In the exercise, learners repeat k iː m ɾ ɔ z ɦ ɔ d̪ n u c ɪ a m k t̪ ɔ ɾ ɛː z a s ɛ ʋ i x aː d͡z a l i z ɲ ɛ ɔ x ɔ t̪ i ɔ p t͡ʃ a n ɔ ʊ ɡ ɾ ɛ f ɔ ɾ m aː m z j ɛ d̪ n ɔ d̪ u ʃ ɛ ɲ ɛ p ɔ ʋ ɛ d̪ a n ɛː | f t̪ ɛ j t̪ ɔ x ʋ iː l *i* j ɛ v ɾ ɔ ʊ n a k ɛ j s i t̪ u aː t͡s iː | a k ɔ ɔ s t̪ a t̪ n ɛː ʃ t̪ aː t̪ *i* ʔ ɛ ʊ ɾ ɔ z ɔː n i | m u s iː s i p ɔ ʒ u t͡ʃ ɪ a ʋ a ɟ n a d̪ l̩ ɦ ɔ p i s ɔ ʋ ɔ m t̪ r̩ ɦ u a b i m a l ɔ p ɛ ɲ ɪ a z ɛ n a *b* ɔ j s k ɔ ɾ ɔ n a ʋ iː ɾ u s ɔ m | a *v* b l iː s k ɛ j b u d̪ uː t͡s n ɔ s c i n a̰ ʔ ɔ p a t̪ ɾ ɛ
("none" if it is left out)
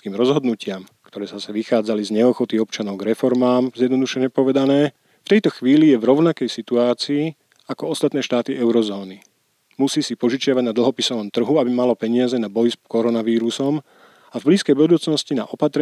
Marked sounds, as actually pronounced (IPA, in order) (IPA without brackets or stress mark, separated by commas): i, i, b, v